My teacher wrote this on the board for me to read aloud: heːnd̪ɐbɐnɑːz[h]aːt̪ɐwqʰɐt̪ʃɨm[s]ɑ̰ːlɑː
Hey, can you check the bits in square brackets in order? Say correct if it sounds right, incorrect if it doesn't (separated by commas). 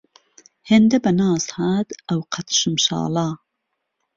correct, incorrect